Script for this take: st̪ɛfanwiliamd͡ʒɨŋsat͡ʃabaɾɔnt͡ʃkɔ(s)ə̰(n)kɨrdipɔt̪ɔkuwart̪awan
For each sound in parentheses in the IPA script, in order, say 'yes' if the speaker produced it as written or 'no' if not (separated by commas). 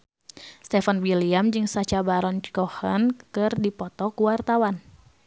no, yes